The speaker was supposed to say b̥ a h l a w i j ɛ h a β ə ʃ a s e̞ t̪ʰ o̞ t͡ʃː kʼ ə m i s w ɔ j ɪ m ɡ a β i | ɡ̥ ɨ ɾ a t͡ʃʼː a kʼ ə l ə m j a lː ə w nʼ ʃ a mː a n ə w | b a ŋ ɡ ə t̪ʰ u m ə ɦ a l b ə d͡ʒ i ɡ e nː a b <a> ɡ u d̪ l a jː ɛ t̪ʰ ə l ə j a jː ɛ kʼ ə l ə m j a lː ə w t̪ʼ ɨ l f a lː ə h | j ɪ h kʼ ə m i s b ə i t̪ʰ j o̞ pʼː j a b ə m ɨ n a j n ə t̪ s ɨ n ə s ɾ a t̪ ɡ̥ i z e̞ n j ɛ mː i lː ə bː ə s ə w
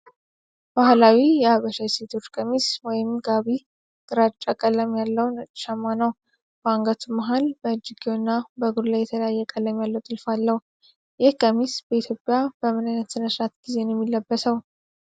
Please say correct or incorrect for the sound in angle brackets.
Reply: incorrect